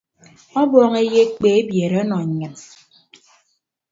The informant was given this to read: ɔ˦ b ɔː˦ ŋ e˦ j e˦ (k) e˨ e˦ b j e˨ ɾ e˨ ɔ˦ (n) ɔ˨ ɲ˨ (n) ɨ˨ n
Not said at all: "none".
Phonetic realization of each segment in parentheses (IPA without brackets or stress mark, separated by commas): k͡p, n, ɲ